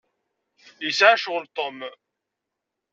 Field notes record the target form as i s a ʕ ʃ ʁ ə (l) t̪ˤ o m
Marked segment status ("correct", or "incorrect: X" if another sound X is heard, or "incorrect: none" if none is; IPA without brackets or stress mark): correct